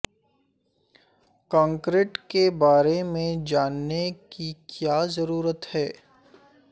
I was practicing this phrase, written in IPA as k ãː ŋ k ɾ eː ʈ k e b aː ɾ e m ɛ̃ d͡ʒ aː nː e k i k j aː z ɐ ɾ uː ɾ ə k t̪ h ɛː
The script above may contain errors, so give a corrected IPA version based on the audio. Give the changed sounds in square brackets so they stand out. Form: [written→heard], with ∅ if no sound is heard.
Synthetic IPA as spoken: k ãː ŋ k ɾ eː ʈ k e b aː ɾ e m [ɛ̃→ẽ] d͡ʒ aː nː e k i k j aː z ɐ ɾ uː ɾ ə [k→∅] t̪ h ɛː